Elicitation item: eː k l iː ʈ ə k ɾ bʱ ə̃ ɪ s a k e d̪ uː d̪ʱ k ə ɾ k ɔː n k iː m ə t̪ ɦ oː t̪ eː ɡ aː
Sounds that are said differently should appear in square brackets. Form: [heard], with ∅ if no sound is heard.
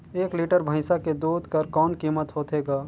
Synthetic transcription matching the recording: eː k l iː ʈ ə [∅] ɾ bʱ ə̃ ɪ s a k e d̪ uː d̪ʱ k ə ɾ k ɔː n k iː m ə t̪ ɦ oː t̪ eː ɡ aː